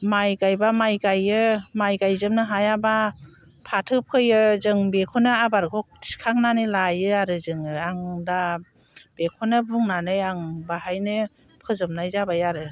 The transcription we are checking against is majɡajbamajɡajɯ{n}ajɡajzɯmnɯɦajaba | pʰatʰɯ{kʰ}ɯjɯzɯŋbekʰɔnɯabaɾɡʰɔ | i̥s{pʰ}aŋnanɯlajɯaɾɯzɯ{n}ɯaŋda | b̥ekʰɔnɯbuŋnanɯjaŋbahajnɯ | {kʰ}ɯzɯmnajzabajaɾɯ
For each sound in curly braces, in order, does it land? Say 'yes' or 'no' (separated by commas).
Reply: no, no, no, no, no